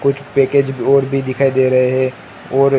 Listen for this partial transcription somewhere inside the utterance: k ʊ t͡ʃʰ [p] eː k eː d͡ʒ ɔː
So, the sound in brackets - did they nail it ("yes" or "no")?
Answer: yes